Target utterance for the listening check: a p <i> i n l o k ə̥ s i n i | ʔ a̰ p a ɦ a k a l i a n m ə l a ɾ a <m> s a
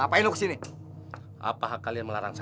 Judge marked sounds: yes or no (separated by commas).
no, no